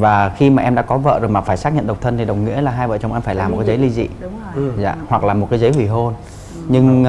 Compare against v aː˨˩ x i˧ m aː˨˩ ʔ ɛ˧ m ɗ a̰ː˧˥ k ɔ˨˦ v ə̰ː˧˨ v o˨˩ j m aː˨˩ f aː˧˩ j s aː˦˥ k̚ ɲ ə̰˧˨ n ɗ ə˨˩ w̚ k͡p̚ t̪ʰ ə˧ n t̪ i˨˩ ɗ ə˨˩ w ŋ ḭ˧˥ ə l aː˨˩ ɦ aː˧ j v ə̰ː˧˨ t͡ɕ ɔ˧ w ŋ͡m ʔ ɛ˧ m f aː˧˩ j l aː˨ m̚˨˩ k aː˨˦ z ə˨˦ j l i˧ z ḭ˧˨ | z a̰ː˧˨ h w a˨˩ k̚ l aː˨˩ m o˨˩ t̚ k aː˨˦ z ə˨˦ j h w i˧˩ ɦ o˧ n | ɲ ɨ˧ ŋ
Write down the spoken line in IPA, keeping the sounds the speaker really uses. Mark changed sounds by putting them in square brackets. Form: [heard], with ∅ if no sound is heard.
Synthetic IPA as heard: v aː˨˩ x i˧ m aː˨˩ ʔ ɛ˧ m ɗ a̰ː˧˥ k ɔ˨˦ v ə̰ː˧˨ [z] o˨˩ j m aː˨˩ f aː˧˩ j s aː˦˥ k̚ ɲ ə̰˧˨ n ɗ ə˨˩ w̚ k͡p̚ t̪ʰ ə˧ n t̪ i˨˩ ɗ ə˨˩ w ŋ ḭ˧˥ ə l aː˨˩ ɦ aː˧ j v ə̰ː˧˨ t͡ɕ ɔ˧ w ŋ͡m ʔ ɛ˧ m f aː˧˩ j l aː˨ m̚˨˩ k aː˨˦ z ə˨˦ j l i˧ z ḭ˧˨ | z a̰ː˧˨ h w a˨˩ k̚ l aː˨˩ m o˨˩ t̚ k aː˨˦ z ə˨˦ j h w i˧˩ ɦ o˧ n | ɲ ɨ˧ ŋ